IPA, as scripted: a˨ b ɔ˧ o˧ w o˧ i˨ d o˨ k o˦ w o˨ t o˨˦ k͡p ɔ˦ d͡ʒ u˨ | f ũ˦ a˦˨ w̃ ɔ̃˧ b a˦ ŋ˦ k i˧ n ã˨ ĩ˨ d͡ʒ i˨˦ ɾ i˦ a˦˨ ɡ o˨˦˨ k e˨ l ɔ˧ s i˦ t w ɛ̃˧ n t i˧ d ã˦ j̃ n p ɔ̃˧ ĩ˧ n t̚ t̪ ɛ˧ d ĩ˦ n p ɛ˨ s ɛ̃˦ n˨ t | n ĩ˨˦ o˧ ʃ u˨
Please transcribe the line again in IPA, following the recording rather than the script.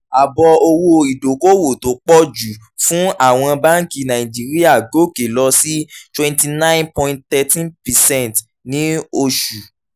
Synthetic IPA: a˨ b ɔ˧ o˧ w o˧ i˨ d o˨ k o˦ w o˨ t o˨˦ k͡p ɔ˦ d͡ʒ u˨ | f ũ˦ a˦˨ w̃ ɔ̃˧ b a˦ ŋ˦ k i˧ n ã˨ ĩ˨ d͡ʒ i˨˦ ɾ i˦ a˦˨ ɡ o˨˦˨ k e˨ l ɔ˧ s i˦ t w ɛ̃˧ n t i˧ n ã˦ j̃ n p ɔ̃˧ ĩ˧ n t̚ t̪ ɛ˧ t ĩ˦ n p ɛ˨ s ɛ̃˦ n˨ t | n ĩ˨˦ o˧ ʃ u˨